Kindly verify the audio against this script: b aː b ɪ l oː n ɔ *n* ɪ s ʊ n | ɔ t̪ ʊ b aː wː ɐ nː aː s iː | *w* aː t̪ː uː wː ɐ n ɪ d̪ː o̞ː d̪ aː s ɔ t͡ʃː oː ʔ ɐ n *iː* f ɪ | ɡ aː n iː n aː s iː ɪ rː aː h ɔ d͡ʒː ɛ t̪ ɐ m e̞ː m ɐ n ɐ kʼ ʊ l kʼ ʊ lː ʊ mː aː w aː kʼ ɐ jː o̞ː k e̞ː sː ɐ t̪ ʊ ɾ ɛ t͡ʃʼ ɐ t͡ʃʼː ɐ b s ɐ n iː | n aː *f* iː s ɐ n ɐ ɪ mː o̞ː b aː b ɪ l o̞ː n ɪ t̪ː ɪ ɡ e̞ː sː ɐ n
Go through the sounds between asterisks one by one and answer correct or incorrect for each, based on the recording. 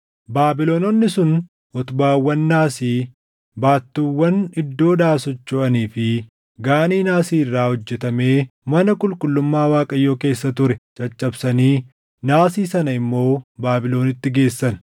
incorrect, incorrect, correct, incorrect

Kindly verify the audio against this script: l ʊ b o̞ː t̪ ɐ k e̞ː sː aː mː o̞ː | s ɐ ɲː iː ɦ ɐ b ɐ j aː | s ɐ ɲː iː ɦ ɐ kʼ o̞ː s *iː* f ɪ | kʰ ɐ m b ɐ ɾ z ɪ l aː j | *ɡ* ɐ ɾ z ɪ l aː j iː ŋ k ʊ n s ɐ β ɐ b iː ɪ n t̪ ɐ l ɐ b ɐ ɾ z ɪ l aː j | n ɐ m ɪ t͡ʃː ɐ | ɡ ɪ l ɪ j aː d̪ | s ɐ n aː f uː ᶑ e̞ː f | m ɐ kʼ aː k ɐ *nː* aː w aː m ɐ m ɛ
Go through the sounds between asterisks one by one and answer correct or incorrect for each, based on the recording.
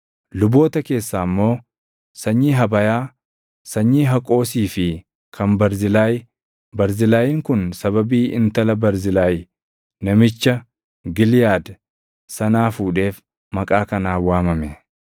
correct, incorrect, incorrect

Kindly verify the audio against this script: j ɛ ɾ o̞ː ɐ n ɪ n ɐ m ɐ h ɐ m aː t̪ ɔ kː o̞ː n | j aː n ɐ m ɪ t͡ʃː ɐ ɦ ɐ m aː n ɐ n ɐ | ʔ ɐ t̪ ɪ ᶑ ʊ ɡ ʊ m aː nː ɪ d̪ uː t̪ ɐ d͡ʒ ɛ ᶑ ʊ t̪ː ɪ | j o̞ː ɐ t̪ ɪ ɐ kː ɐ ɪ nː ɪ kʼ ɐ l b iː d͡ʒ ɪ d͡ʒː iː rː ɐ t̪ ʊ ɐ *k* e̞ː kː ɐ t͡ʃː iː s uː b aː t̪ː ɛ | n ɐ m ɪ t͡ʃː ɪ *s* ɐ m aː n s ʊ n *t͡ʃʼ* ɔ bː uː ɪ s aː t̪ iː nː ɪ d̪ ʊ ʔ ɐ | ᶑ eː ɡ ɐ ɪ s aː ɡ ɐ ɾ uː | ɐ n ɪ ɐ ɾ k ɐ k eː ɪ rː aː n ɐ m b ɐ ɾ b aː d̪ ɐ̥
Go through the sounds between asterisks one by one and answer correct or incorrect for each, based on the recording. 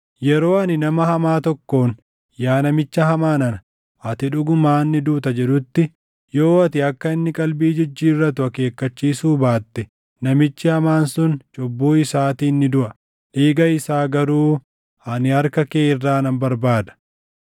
correct, incorrect, correct

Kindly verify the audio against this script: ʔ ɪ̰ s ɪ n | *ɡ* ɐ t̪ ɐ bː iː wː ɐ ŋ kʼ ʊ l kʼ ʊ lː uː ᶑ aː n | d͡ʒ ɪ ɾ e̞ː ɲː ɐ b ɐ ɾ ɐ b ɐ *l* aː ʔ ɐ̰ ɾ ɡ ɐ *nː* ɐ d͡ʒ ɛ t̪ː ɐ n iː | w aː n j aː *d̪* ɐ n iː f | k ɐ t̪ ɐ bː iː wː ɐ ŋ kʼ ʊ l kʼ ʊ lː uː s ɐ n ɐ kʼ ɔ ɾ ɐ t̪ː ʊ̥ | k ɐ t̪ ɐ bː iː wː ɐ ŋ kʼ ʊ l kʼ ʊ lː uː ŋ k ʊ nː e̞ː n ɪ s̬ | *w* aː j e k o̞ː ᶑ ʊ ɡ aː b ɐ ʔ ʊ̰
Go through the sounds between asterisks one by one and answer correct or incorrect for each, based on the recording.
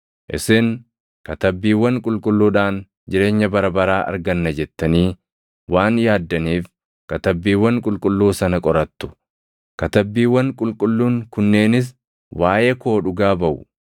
incorrect, incorrect, correct, incorrect, correct

